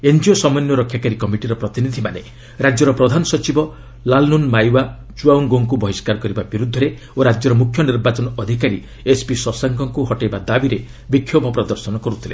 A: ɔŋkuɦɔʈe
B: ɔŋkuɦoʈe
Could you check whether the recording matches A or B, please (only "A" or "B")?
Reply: A